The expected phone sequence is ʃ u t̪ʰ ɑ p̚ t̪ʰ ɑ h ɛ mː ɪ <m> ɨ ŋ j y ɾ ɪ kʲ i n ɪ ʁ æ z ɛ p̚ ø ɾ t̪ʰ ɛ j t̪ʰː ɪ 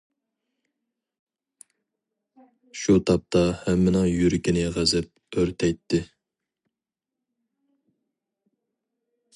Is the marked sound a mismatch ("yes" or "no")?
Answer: yes